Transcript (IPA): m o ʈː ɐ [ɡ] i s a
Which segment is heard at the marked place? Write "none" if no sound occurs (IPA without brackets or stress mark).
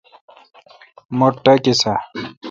k